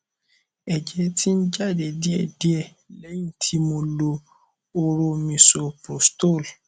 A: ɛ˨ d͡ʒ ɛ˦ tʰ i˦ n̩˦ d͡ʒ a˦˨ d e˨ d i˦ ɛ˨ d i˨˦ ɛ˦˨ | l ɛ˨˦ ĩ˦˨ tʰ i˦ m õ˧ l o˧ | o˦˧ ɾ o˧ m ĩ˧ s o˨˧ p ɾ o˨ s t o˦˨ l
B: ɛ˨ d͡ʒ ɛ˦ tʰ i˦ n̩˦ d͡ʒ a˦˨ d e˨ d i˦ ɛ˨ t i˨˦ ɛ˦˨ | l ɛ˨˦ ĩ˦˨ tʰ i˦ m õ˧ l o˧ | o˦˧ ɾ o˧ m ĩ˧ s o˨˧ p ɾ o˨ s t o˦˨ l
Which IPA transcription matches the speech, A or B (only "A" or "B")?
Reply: A